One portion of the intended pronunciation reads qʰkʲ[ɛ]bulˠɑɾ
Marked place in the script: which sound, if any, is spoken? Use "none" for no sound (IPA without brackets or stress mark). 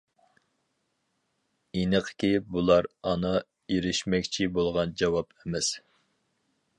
i